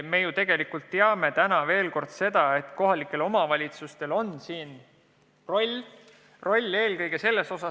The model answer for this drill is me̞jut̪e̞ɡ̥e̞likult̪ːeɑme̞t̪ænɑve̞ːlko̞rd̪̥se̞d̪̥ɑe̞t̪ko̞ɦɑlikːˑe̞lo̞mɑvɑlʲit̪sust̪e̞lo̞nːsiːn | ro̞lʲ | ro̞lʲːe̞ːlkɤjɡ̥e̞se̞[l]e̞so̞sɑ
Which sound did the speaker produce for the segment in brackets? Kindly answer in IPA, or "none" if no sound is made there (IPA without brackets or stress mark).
lː